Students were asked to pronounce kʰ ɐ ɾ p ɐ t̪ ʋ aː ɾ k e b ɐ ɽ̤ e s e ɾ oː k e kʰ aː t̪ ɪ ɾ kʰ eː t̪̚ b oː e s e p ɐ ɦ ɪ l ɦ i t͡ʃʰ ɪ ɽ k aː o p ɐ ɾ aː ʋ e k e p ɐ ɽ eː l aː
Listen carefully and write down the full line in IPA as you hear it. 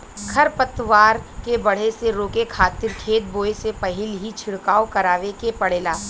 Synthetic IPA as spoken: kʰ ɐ ɾ p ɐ t̪ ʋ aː ɾ k e b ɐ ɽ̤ e s e ɾ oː k e kʰ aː t̪ ɪ ɾ kʰ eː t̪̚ b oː e s e p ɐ ɦ ɪ l ɦ i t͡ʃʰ ɪ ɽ k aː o k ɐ ɾ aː ʋ e k e p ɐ ɽ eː l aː